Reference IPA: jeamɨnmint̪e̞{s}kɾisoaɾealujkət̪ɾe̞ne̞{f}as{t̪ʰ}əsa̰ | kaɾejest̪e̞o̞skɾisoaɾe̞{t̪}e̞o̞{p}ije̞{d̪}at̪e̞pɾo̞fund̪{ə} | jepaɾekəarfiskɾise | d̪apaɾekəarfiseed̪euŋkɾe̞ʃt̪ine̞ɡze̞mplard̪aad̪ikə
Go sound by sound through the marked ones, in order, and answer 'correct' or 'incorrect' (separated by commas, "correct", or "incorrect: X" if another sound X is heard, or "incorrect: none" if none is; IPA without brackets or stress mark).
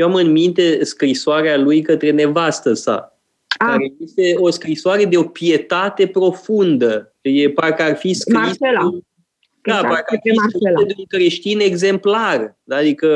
correct, incorrect: v, incorrect: t̪, incorrect: d̪, correct, incorrect: t̪, correct